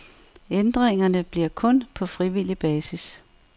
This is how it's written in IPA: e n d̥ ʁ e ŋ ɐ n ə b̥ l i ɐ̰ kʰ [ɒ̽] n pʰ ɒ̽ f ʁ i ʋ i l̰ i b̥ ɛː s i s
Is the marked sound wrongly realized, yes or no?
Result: yes